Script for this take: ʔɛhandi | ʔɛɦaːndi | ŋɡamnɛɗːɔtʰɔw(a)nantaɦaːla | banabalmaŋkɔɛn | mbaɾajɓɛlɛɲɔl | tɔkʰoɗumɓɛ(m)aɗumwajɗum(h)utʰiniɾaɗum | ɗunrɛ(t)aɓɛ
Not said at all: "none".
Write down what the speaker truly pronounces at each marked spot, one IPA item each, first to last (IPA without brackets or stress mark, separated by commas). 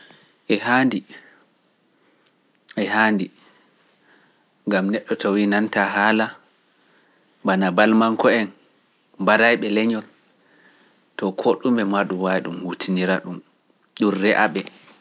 i, m, h, ʔ